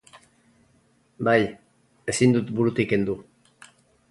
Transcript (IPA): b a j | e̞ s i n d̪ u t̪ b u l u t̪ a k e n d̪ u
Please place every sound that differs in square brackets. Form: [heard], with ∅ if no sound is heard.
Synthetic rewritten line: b a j | e̞ s i n d̪ u t̪ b u [ɾ] u t̪ [i] k e n d̪ u